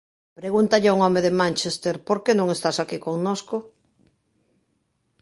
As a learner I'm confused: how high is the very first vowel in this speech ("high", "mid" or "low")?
mid